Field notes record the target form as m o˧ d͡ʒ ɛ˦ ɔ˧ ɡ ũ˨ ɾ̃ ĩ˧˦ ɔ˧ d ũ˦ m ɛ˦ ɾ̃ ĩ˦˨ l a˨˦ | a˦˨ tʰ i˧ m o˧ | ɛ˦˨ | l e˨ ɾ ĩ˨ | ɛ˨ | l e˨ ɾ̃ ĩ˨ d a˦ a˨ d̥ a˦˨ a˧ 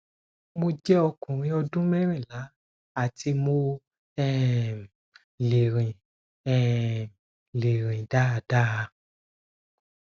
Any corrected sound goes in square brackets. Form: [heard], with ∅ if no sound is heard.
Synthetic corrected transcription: m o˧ d͡ʒ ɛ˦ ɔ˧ [k] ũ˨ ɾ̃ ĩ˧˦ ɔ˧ d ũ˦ m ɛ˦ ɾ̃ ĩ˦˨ l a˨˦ | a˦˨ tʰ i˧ m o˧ | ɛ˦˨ | l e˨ ɾ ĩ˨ | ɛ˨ | l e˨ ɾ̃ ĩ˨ d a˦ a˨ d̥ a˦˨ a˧